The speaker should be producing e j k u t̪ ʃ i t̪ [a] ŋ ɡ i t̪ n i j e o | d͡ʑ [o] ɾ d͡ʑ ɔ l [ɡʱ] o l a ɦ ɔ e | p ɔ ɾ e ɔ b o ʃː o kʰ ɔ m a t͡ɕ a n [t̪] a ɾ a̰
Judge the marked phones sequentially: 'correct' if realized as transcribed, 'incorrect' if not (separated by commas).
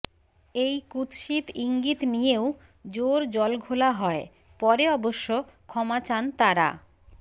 incorrect, correct, correct, correct